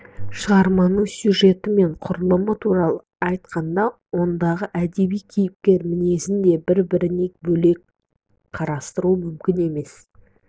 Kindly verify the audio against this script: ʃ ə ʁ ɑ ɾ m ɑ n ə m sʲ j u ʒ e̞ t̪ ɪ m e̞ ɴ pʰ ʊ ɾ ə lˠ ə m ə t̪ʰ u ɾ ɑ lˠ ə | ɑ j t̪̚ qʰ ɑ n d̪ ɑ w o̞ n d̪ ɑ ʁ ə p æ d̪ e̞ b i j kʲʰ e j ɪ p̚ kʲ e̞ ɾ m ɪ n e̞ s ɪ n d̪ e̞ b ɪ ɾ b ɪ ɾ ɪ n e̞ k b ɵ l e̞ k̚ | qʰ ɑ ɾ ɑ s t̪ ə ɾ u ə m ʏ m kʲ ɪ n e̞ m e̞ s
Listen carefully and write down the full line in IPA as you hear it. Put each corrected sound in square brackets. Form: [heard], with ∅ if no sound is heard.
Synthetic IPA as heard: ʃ ə ʁ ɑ ɾ m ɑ n ə [ɴ] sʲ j u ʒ e̞ t̪ ɪ m e̞ ɴ [qʰ] ʊ ɾ ə lˠ ə m ə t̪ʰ u ɾ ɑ lˠ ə | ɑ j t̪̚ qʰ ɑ n d̪ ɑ w o̞ n d̪ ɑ ʁ ə [ʔ] æ d̪ e̞ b i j kʲʰ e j ɪ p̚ kʲ e̞ ɾ m ɪ n e̞ s ɪ n d̪ e̞ b ɪ ɾ b ɪ ɾ ɪ n e̞ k b ɵ l e̞ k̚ | qʰ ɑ ɾ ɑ s t̪ ə ɾ u ə m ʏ m kʲ ɪ n e̞ m e̞ s